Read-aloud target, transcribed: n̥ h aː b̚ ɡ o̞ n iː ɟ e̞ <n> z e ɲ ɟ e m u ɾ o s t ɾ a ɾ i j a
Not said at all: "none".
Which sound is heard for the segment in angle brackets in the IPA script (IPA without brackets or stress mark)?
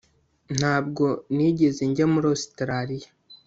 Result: none